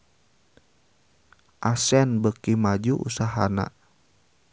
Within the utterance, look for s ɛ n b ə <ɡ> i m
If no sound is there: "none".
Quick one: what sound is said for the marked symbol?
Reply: k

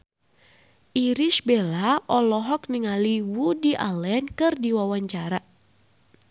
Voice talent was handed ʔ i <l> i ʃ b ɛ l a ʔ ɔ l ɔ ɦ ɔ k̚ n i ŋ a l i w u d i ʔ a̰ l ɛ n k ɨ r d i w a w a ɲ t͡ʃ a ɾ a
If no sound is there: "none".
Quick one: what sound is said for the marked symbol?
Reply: ɾ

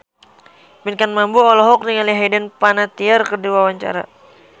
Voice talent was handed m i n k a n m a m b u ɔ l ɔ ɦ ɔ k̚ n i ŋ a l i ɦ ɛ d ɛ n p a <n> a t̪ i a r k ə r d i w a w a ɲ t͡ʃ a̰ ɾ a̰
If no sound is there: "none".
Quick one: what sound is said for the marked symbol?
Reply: n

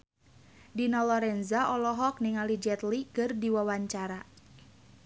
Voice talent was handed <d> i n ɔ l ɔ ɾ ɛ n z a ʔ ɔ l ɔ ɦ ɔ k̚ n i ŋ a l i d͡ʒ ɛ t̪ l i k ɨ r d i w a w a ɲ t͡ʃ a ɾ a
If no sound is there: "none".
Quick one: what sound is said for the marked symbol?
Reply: d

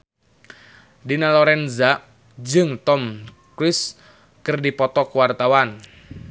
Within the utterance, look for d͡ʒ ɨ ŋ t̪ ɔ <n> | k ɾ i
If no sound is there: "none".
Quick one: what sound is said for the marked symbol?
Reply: m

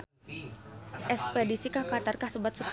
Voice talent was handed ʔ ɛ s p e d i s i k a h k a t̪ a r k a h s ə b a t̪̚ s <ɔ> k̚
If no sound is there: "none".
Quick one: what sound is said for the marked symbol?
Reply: u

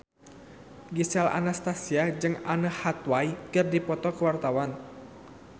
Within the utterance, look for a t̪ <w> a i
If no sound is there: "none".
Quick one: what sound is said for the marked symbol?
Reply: w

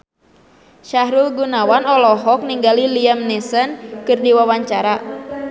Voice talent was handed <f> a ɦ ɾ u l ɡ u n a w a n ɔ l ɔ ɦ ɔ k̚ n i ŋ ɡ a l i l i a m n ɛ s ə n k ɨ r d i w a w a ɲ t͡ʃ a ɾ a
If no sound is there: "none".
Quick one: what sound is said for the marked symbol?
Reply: ʃ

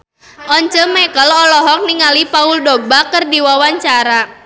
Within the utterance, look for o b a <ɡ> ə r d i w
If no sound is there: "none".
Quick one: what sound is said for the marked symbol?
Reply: k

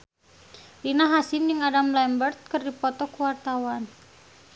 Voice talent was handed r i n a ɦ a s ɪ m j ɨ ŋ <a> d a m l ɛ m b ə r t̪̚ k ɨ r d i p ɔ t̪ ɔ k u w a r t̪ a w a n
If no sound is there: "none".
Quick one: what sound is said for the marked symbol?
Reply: a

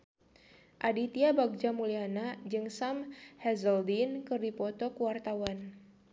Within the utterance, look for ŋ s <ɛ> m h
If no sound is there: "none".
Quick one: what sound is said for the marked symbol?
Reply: a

